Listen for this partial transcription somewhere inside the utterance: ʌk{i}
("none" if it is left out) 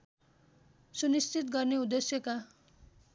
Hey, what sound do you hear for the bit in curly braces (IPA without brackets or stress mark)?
a